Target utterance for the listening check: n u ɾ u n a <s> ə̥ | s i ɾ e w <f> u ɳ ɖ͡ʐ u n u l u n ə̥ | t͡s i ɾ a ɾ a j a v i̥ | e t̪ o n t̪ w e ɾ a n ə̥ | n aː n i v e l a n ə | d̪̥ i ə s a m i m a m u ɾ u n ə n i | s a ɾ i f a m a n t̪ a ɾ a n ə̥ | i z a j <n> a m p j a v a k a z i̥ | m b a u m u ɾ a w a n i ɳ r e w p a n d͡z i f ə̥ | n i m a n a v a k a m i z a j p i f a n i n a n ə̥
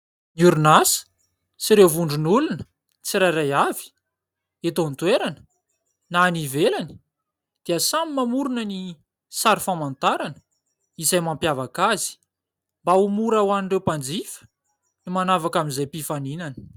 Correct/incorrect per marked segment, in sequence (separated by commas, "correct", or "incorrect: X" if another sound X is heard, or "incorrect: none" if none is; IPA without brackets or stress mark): correct, incorrect: v, incorrect: m